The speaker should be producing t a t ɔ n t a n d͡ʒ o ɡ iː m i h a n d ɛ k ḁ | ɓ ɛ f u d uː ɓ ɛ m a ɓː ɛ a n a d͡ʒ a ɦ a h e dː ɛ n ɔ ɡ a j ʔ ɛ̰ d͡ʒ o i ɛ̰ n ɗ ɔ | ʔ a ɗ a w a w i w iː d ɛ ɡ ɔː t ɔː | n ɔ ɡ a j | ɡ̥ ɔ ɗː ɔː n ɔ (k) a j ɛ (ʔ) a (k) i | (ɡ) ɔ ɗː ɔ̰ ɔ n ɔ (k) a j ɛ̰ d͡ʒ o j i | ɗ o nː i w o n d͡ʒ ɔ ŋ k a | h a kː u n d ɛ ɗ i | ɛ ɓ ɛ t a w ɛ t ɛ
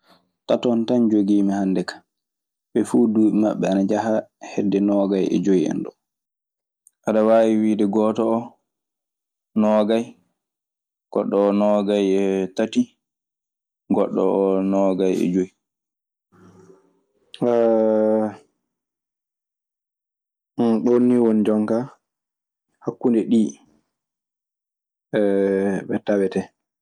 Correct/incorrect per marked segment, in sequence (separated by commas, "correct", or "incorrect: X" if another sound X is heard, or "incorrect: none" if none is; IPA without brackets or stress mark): incorrect: ɡ, incorrect: t, incorrect: t, correct, incorrect: ɡ